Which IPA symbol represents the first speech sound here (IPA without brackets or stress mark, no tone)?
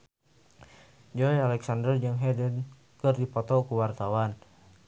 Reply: d͡ʒ